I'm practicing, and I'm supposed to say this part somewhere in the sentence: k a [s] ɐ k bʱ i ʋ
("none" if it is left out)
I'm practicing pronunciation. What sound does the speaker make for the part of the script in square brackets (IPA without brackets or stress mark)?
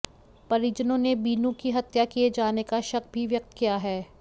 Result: ʃ